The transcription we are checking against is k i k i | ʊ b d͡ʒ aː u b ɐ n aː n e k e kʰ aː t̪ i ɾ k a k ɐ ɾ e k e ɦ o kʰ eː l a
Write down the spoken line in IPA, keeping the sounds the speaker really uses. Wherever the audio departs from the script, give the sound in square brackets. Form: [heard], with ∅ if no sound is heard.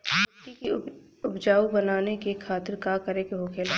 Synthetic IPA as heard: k i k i | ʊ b d͡ʒ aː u b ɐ n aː n e k e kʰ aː t̪ [ɪ] ɾ k a k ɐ ɾ e k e ɦ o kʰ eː l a